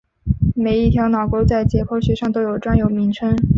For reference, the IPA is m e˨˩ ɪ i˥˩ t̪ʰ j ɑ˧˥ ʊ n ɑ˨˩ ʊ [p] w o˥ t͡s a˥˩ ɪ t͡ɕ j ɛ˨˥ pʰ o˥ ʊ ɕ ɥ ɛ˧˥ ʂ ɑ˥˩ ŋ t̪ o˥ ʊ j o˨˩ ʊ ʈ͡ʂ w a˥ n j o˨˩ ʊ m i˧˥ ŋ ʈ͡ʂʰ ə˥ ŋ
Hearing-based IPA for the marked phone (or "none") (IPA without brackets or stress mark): k